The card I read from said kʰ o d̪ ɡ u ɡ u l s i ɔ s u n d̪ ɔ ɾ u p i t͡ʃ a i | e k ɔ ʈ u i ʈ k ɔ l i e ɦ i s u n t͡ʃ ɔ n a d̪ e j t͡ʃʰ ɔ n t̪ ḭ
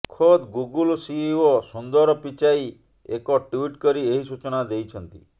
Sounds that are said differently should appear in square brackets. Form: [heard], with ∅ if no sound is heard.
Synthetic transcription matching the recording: kʰ o d̪ ɡ u ɡ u l s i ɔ s u n d̪ ɔ ɾ [ɔ] p i t͡ʃ a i | e k ɔ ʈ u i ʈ k ɔ [ɾ] i e ɦ i s u [∅] t͡ʃ ɔ n a d̪ e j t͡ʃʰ ɔ n t̪ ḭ